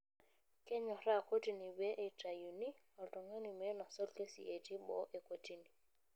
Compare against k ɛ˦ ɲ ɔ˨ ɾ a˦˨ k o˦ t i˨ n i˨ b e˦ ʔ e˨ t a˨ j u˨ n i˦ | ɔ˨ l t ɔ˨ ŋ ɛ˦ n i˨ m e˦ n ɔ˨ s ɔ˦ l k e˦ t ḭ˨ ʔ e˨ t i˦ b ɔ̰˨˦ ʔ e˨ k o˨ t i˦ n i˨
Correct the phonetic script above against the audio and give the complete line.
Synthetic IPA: k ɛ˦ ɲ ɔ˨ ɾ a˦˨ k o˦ t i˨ n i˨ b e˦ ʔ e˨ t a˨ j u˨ n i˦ | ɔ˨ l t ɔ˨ ŋ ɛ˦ n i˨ m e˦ n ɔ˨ s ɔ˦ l k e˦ s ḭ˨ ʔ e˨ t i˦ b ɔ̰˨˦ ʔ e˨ k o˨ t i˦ n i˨